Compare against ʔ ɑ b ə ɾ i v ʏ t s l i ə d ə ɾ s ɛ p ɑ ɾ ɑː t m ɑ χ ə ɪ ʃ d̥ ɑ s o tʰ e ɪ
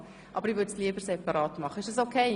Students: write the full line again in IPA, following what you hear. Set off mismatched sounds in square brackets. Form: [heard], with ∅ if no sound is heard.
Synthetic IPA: ʔ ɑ b ə ɾ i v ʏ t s l i ə [b] ə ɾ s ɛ p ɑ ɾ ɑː t m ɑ χ ə ɪ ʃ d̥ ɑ s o [kʰ] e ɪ